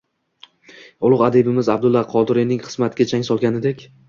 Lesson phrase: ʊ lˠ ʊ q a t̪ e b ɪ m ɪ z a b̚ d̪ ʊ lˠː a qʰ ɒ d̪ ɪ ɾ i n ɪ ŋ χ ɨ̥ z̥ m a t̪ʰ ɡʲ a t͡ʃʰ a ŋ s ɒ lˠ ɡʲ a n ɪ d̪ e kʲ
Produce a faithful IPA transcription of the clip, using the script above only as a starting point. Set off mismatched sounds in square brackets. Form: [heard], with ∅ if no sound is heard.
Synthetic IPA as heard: ʊ lˠ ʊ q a [d̪] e b ɪ m ɪ z a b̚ d̪ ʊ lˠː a qʰ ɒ d̪ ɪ ɾ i n ɪ ŋ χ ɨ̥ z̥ m a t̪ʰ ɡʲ a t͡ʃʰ a ŋ s ɒ lˠ ɡʲ a n ɪ d̪ e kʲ